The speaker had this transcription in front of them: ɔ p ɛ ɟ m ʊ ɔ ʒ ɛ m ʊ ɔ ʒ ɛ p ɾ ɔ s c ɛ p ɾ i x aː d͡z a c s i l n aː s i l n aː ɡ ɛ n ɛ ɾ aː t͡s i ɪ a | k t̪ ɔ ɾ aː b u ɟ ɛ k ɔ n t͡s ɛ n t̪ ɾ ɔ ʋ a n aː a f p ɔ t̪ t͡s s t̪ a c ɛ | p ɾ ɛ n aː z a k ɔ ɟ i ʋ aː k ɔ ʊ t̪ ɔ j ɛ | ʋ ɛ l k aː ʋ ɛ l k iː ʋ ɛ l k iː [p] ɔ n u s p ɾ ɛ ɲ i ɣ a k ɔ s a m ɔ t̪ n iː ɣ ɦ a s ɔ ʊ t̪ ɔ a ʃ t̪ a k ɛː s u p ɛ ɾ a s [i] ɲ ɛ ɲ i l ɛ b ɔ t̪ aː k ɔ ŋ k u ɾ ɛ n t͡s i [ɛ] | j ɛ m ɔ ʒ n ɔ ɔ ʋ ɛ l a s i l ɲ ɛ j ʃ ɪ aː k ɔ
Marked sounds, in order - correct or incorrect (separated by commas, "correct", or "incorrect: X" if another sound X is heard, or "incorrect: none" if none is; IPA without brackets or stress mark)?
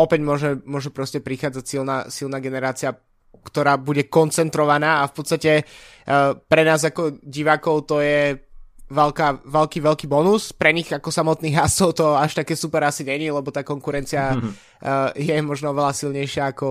incorrect: b, correct, incorrect: a